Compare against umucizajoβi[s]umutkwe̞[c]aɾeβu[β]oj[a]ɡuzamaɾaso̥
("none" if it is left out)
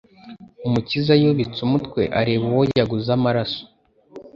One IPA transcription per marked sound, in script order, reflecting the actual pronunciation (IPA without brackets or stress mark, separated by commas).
t͡s, ʔ, w, a